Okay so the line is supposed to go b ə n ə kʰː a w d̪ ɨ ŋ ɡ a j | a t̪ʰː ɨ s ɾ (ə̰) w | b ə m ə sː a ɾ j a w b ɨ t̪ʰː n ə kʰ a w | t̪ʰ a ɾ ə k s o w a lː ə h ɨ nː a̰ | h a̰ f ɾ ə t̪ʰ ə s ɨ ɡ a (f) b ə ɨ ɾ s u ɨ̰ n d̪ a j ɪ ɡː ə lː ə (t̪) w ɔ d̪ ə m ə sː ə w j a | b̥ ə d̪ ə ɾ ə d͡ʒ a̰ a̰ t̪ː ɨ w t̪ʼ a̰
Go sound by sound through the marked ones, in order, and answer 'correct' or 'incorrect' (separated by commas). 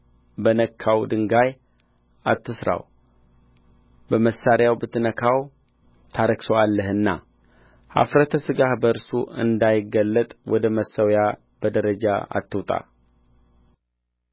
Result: incorrect, incorrect, incorrect